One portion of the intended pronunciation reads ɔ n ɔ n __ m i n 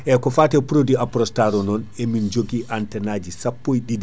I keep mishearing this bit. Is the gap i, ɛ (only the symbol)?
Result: ɛ